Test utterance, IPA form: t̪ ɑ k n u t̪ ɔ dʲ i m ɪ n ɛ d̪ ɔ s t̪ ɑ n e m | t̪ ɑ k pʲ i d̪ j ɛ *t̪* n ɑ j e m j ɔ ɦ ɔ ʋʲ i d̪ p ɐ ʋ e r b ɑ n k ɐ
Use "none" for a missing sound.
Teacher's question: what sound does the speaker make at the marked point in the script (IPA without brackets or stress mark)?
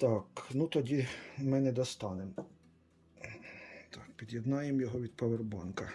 d̪